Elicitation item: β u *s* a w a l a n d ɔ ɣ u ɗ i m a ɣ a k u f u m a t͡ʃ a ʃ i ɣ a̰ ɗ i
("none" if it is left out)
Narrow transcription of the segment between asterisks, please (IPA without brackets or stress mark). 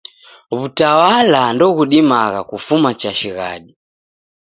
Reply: t